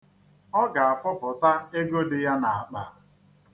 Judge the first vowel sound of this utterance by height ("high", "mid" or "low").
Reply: mid